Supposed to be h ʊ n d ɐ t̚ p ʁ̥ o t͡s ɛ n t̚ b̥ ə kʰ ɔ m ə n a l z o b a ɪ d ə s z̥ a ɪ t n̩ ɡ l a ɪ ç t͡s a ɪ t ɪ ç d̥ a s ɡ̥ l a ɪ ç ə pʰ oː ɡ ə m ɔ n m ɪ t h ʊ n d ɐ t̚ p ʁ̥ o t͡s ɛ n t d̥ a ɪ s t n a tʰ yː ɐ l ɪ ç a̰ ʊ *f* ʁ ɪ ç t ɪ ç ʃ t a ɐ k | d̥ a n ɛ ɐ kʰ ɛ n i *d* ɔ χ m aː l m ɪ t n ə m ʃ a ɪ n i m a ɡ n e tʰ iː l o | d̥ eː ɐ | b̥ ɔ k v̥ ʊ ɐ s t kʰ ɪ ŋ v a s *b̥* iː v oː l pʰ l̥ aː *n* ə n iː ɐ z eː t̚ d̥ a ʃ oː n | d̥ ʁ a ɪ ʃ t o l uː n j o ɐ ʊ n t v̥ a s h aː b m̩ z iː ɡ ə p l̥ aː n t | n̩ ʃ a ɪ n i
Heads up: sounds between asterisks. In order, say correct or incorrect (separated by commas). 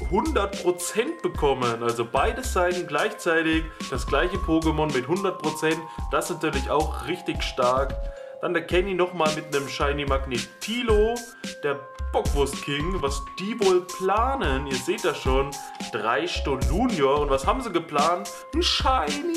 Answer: incorrect, incorrect, incorrect, correct